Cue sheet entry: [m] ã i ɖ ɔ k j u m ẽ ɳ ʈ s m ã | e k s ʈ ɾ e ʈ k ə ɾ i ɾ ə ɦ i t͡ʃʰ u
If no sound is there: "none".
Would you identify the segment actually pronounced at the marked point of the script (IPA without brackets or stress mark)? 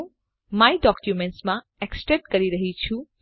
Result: m